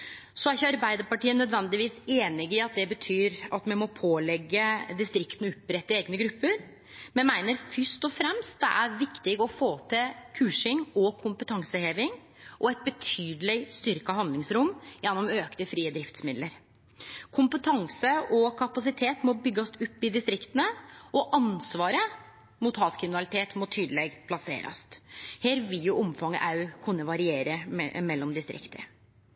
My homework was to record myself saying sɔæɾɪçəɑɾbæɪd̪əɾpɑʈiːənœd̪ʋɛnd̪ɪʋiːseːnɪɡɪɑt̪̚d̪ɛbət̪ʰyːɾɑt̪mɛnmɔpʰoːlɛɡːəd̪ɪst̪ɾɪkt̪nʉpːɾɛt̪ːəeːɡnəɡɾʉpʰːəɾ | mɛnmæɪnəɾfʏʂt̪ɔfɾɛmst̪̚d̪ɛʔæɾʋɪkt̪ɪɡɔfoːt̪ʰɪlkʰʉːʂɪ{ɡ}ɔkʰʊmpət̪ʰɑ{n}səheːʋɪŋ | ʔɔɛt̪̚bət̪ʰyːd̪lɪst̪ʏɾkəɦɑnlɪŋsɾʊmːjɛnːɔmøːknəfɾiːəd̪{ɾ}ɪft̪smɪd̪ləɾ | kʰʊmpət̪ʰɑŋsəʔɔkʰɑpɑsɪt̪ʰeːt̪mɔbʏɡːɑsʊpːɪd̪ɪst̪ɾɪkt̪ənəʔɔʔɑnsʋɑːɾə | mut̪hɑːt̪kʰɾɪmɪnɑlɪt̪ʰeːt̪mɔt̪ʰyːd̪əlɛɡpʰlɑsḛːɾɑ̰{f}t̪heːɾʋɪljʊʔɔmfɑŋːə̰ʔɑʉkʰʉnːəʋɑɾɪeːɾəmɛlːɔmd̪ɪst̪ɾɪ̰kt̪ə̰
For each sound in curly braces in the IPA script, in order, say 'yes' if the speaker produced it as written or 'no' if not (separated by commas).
no, no, yes, no